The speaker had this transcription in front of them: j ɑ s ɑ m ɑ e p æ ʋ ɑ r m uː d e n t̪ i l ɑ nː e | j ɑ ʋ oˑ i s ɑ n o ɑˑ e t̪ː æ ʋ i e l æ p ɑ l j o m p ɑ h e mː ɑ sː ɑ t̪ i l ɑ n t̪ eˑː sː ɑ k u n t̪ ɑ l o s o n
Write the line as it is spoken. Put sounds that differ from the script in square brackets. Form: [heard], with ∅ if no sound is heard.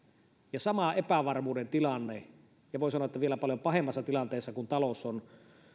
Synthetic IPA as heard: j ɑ s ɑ m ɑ e p æ ʋ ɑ r m uː d e n t̪ i l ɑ nː e | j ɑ ʋ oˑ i s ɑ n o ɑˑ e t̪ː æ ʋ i e l æ p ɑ l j o m p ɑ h e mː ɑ sː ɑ t̪ i l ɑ n t̪ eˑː sː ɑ k u n t̪ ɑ l o s o n